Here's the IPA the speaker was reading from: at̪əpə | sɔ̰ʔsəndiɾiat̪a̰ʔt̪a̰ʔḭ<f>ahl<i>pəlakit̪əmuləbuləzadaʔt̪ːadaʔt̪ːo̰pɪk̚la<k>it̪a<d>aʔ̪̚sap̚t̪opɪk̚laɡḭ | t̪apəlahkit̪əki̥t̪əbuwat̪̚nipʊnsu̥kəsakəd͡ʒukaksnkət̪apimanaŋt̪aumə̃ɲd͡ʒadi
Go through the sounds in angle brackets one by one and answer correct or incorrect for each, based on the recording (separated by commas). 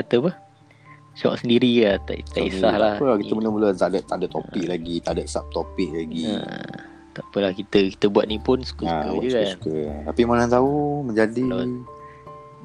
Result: incorrect, incorrect, incorrect, correct